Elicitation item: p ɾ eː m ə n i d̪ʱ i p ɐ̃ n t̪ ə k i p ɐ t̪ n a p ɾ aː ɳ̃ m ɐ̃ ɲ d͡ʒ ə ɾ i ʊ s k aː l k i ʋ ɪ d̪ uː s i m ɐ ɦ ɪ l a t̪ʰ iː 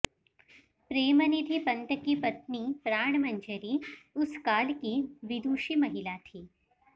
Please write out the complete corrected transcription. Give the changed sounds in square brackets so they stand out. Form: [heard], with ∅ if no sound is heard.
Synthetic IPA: p ɾ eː m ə n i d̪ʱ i p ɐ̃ n t̪ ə k i p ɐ t̪ n [i] p ɾ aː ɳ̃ m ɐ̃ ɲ d͡ʒ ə ɾ i ʊ s k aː l k i ʋ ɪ d̪ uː [ʃ] i m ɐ ɦ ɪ l a t̪ʰ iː